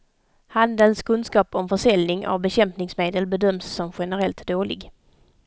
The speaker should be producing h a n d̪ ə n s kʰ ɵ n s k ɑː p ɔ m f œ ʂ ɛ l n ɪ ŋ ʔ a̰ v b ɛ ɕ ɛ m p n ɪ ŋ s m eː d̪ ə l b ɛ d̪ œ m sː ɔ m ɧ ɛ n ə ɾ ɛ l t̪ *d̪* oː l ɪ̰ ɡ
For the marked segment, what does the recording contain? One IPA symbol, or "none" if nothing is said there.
d̪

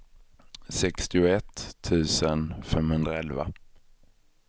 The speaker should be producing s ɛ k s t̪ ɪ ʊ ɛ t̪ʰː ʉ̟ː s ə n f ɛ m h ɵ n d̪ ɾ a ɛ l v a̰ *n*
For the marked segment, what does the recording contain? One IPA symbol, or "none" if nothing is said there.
none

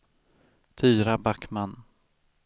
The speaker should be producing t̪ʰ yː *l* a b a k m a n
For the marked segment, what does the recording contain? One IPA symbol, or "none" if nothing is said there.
ɾ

